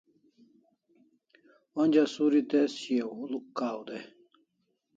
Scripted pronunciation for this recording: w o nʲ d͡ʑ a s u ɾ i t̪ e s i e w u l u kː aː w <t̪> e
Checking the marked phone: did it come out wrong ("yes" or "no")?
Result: yes